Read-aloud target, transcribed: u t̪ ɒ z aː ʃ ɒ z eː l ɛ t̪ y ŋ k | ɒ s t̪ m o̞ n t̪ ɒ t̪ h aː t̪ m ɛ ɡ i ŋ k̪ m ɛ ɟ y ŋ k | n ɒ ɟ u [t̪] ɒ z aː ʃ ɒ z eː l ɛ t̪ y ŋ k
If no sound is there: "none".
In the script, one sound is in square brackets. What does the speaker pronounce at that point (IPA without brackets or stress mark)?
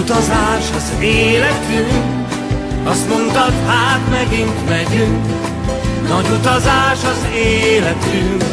t̪